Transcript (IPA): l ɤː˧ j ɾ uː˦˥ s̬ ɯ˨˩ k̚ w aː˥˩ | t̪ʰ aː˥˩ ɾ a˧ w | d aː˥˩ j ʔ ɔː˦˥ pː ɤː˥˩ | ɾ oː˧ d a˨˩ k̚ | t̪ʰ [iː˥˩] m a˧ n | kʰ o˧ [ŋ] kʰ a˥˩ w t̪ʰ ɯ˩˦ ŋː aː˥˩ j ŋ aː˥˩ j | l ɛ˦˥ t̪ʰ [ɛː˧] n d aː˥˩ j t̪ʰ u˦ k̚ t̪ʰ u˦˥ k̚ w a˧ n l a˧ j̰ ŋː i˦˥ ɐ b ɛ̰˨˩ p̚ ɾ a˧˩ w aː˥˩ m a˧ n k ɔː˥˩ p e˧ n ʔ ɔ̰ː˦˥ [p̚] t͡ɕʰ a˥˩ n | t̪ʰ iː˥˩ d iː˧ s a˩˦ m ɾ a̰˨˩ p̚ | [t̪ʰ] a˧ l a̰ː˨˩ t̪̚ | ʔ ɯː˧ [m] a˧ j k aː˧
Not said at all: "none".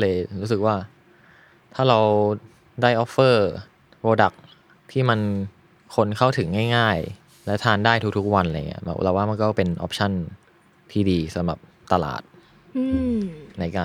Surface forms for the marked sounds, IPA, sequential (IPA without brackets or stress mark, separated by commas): iː˥˩, n, aː˧, p̚, t̪, n